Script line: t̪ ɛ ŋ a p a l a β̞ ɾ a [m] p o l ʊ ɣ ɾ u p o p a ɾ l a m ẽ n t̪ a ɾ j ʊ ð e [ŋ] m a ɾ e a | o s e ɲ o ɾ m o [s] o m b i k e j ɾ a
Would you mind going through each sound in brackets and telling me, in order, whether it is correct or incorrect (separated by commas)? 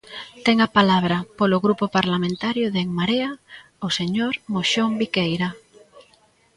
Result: incorrect, correct, incorrect